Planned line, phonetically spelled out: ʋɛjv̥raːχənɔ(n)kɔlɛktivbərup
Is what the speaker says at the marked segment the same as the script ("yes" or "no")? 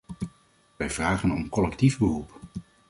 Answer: no